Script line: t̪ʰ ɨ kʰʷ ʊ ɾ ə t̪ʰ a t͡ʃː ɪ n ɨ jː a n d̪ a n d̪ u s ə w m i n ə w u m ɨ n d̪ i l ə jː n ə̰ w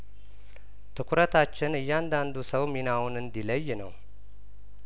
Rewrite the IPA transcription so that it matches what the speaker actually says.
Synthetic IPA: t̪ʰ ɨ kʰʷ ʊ ɾ ə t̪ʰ a t͡ʃː ɪ n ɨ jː a n d̪ a n d̪ u s ə w m i n a w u n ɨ n d̪ i l ə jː n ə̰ w